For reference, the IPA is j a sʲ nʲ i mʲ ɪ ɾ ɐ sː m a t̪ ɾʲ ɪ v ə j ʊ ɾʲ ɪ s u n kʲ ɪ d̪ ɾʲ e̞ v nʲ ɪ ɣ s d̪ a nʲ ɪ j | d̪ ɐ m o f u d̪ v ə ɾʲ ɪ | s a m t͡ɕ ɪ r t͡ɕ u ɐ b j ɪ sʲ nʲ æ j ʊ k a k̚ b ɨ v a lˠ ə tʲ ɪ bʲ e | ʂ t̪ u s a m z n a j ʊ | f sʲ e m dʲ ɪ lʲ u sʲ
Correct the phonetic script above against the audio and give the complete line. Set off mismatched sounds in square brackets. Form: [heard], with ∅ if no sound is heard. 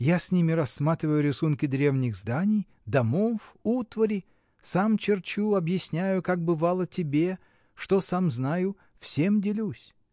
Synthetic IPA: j a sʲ nʲ i mʲ ɪ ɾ ɐ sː m a t̪ ɾʲ ɪ v ə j ʊ ɾʲ ɪ s u n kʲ ɪ d̪ ɾʲ e̞ v nʲ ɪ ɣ [z] d̪ a nʲ ɪ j | d̪ ɐ m o f u [t̪] v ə ɾʲ ɪ | s a m t͡ɕ ɪ r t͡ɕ u ɐ b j ɪ sʲ nʲ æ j ʊ k a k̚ b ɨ v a lˠ ə tʲ ɪ bʲ e | ʂ t̪ [o] s a m z n a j ʊ | f sʲ e m dʲ ɪ lʲ u sʲ